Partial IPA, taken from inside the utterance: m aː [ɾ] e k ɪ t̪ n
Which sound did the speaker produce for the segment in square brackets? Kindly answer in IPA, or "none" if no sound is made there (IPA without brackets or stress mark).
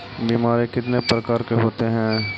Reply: ɾ